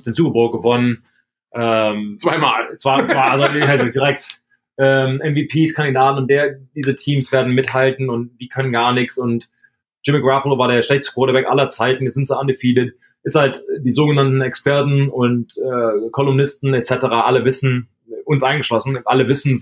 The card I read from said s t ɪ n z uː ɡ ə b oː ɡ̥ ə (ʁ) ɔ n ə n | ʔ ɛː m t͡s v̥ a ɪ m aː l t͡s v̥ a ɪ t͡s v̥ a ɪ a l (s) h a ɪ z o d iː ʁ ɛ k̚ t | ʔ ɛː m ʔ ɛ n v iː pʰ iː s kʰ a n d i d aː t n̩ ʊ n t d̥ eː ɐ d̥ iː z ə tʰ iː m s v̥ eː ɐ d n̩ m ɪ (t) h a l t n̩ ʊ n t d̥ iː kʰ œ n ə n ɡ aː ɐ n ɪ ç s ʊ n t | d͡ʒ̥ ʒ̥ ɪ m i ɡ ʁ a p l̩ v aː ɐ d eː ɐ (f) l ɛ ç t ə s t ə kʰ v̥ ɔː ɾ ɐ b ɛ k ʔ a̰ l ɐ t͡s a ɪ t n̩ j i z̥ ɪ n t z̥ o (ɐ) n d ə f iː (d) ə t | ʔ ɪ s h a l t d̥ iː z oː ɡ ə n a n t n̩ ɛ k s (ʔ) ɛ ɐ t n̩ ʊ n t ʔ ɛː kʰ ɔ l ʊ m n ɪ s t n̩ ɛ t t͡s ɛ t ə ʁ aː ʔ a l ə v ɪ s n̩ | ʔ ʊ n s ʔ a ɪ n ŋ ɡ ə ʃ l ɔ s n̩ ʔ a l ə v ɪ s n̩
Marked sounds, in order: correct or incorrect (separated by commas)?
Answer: incorrect, incorrect, correct, incorrect, incorrect, correct, incorrect